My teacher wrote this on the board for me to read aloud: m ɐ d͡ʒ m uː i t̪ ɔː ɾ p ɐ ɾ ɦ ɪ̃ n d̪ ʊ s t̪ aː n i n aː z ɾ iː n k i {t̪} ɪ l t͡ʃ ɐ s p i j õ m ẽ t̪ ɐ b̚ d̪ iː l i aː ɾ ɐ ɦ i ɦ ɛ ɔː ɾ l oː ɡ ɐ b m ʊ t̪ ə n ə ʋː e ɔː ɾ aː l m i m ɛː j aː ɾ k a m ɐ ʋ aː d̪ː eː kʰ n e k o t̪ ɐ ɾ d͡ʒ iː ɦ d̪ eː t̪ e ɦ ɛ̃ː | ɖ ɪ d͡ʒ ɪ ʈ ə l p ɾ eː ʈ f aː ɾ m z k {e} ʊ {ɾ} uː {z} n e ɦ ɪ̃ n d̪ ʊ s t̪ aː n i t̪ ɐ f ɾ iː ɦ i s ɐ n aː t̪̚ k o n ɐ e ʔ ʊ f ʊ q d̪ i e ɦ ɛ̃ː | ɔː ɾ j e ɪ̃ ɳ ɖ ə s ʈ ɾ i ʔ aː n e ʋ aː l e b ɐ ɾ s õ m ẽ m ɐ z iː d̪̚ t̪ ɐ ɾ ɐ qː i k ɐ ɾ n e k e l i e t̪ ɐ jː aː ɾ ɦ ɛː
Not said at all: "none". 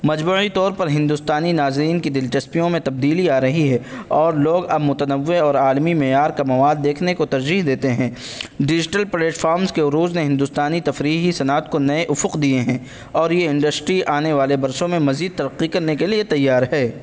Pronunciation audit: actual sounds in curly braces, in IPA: d̪, e, ɾ, z

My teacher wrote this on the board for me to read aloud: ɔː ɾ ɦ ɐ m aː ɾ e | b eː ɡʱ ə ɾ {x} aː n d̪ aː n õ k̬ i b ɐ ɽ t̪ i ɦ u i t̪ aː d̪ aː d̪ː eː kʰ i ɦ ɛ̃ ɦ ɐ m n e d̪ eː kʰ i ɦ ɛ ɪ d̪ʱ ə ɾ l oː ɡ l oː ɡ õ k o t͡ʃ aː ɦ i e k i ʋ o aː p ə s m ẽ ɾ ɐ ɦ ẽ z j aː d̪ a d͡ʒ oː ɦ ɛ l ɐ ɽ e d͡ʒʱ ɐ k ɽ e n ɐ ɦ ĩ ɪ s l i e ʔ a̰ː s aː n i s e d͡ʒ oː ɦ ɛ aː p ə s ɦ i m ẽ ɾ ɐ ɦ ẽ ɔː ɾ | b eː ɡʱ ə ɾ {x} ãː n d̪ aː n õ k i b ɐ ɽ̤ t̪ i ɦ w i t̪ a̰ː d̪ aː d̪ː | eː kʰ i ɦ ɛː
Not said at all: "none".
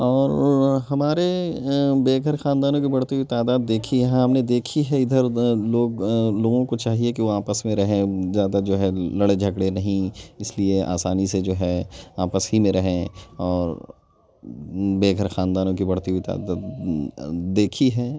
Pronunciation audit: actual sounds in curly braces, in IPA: x, x

